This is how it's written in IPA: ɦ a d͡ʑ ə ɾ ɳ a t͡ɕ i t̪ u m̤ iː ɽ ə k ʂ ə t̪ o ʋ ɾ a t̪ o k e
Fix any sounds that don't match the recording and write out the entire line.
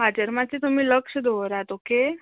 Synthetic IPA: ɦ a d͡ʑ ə ɾ m a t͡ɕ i t̪ u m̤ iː l ə k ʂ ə d̪ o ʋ ɾ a t̪ o k e